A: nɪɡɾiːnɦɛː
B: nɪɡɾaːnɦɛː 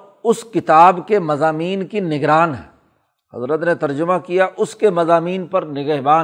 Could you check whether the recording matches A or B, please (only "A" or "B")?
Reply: B